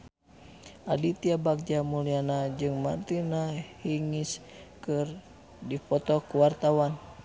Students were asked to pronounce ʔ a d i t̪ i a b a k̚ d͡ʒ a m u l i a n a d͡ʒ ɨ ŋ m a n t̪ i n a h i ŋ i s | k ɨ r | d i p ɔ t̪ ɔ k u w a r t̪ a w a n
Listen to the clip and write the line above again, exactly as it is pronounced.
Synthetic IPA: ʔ a d i t̪ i a b a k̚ d͡ʒ a m u l i a n a d͡ʒ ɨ ŋ m a n t̪ i n a h i ŋ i s | k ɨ r | d i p ɔ t̪ ɔ k u w a r t̪ a w a n